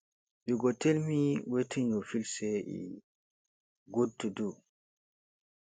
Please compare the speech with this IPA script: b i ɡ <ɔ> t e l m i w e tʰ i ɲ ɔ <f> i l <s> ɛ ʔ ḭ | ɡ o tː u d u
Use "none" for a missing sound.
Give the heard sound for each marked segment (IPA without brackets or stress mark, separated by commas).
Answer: ɔ, f, s